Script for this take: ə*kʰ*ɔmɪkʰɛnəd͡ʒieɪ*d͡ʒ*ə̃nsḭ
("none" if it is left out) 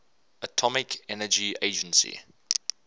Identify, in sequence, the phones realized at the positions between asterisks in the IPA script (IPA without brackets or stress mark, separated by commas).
tʰ, d͡ʒ